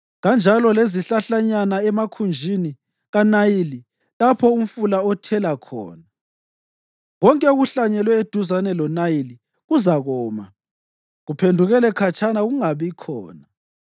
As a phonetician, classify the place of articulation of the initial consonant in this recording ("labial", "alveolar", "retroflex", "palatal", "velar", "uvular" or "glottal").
velar